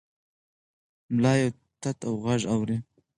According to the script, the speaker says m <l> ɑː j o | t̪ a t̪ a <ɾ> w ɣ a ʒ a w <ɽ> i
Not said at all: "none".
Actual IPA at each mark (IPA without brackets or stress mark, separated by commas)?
l, none, ɾ